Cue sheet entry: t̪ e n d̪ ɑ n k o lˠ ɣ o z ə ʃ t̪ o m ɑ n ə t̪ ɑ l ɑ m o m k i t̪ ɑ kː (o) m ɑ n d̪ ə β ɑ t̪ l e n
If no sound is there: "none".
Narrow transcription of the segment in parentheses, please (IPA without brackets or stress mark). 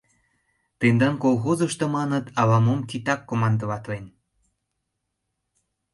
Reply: o